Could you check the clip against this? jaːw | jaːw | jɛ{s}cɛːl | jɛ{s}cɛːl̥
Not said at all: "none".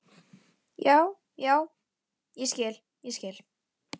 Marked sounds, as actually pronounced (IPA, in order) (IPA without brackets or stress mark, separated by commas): s, s